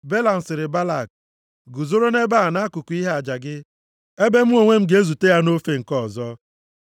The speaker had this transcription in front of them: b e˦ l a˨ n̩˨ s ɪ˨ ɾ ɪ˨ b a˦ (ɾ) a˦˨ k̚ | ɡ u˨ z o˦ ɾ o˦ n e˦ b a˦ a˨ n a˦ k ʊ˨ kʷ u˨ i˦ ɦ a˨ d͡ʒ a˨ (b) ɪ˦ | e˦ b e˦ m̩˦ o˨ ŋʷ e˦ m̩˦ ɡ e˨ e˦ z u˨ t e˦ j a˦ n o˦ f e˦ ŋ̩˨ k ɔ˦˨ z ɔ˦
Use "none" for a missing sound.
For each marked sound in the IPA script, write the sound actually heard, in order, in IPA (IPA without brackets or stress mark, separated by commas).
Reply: l, ɡ